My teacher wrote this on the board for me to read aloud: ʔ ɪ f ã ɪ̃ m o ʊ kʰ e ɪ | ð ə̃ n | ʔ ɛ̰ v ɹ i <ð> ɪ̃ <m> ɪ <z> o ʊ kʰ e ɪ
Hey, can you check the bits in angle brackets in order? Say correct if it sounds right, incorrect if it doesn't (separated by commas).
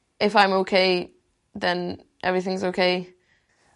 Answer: incorrect, incorrect, correct